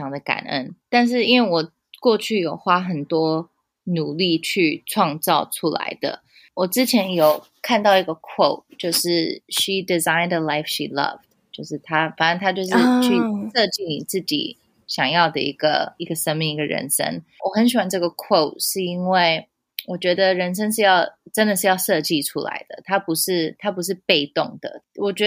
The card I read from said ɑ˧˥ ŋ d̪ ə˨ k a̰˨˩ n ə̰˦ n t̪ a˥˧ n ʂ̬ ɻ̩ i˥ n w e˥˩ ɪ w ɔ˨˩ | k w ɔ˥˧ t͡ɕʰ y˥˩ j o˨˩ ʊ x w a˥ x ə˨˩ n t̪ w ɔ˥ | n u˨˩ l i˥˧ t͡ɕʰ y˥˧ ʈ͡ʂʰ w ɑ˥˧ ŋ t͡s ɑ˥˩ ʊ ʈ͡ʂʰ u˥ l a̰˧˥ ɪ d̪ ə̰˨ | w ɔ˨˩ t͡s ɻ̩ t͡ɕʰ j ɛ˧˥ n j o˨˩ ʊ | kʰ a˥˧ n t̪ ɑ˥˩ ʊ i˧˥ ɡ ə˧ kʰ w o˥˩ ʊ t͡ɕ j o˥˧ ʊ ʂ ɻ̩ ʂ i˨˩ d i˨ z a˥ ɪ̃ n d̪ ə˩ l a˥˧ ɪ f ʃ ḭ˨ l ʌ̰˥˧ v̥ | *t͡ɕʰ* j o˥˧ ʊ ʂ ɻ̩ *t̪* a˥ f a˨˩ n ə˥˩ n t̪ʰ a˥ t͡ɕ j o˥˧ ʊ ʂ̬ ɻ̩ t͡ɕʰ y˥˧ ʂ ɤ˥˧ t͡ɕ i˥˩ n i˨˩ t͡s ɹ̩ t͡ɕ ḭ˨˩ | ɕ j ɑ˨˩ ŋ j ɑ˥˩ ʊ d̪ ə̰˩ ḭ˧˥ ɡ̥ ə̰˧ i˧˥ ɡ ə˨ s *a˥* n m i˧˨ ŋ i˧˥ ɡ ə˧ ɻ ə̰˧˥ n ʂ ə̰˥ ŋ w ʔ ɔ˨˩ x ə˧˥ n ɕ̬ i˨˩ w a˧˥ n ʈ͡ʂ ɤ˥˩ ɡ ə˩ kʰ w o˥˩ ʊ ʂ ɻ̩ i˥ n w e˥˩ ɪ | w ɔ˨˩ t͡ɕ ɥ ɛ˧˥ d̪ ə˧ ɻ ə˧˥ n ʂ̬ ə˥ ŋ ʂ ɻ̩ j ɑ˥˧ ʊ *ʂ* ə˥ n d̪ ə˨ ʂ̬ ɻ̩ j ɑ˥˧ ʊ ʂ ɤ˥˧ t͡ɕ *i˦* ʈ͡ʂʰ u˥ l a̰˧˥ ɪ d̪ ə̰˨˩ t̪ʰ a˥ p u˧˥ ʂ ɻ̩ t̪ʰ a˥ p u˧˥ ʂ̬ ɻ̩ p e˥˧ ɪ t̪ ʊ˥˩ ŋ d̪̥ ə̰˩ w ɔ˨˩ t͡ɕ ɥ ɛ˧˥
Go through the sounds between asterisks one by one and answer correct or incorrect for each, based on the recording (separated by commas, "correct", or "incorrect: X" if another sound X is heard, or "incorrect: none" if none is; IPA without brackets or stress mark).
incorrect: t͡ɕ, incorrect: t̪ʰ, incorrect: ə˥, incorrect: ʈ͡ʂ, incorrect: i˥˩